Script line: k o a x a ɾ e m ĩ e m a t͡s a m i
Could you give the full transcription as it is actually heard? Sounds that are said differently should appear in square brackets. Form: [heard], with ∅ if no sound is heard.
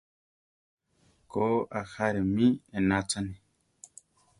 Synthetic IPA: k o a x a ɾ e m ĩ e [n] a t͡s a [n] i